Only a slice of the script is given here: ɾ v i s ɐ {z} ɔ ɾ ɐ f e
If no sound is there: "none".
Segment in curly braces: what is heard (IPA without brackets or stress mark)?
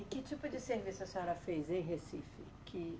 s